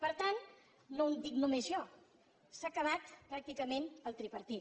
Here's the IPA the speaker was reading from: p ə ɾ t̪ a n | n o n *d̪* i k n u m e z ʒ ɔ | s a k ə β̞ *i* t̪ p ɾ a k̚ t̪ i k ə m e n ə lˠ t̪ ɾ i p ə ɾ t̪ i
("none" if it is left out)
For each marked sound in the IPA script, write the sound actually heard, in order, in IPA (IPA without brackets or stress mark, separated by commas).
d̪, a